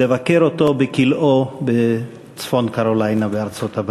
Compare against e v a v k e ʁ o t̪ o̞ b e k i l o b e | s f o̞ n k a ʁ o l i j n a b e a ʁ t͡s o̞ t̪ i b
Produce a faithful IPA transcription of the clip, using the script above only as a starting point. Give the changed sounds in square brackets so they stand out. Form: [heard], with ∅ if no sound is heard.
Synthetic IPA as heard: e v a [∅] k e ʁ o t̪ o̞ b e k i l o b e | [t͡s] f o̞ n k a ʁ o l [a] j n a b e a ʁ t͡s o̞ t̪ [a] b